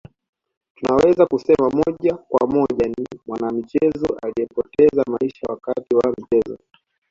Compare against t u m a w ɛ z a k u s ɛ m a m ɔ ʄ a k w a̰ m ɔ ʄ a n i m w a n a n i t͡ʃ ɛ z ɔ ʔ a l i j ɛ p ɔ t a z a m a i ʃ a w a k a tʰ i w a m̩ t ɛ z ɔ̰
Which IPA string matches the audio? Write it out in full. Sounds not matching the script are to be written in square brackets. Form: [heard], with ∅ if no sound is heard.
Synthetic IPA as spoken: t u [n] a w ɛ z a k u s ɛ m a m ɔ ʄ a k w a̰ m ɔ ʄ a n i m w a n a [m] i t͡ʃ ɛ z ɔ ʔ a l i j ɛ p ɔ t [ɛ] z a m a i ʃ a w a k a [t] i w a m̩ [t͡ʃ] ɛ z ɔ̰